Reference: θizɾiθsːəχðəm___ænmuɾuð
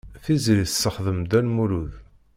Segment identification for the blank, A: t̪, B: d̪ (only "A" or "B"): B